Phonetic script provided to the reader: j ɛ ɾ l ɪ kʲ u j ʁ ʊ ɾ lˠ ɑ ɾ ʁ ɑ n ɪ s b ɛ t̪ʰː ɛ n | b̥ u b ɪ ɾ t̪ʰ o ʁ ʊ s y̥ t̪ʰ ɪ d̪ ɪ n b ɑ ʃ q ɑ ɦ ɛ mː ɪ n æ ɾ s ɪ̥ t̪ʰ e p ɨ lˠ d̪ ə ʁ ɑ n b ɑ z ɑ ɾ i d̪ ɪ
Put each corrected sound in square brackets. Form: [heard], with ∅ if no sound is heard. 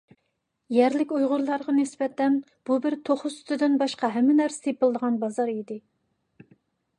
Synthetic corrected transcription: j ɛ ɾ l ɪ kʲ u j ʁ ʊ ɾ lˠ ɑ ɾ ʁ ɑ n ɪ s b ɛ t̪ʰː ɛ n | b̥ u b ɪ ɾ t̪ʰ o [χ] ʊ s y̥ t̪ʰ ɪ d̪ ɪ n b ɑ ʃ q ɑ ɦ ɛ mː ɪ n æ ɾ s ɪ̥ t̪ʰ e p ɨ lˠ d̪ ə ʁ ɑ n b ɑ z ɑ ɾ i d̪ ɪ